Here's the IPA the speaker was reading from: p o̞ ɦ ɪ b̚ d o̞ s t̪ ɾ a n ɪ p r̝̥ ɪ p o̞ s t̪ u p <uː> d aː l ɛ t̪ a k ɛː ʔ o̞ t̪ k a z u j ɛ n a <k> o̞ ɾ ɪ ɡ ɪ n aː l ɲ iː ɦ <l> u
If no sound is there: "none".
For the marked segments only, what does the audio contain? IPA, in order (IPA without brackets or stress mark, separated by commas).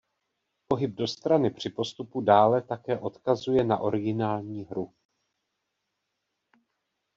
u, ʔ, ɾ